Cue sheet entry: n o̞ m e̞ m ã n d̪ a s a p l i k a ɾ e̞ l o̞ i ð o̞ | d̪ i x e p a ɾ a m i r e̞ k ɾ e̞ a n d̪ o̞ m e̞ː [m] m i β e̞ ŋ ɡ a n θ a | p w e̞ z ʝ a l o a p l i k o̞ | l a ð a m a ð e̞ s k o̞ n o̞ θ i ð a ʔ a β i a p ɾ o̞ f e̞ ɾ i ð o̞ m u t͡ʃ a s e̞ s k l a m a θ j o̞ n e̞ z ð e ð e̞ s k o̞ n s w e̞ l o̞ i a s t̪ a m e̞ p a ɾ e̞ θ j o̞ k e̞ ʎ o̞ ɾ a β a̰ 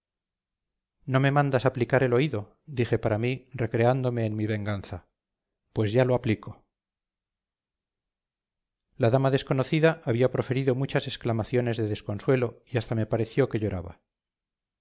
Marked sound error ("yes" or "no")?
yes